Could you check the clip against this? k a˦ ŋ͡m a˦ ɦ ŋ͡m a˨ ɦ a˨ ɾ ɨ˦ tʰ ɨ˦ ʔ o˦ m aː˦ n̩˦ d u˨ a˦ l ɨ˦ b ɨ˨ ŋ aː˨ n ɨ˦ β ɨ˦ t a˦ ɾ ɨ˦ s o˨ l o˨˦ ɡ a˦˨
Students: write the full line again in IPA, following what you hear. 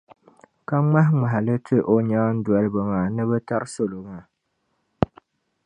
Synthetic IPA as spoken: k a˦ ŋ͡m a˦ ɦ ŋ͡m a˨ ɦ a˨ l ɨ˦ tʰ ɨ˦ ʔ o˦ ɲ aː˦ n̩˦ d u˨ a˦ l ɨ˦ b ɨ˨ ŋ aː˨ n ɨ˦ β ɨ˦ t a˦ ɾ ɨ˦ s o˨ l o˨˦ ŋ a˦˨